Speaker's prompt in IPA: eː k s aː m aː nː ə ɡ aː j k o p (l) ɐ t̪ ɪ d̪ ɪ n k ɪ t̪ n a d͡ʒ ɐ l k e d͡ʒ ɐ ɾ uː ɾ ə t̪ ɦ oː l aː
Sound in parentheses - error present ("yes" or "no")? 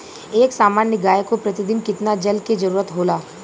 yes